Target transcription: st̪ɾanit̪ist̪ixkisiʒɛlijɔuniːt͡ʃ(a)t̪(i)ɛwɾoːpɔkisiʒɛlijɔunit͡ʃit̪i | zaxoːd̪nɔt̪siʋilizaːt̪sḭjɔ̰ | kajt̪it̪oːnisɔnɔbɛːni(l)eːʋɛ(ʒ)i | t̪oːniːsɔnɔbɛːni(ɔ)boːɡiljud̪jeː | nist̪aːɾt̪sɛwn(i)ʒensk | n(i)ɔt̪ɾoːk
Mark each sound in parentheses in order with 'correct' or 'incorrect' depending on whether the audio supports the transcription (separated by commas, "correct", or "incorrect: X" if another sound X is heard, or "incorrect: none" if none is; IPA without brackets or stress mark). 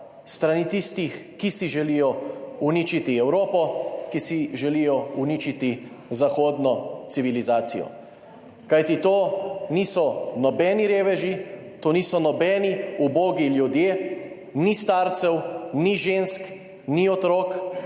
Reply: incorrect: i, correct, incorrect: ɾ, correct, incorrect: u, correct, correct